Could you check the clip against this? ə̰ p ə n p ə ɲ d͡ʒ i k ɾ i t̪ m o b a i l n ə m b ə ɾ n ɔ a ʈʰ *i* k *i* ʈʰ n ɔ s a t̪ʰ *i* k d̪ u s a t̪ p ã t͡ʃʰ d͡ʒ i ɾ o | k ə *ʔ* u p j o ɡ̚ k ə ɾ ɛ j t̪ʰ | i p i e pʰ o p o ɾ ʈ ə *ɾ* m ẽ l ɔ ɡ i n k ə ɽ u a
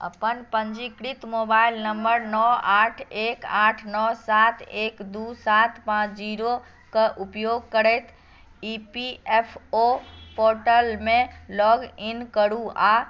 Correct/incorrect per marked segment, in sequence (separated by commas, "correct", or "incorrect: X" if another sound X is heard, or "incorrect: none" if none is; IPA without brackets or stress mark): incorrect: e, incorrect: a, incorrect: e, correct, incorrect: l